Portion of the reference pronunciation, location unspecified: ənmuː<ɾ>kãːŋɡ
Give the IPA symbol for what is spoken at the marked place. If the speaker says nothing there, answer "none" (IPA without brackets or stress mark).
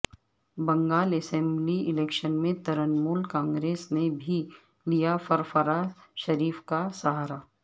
l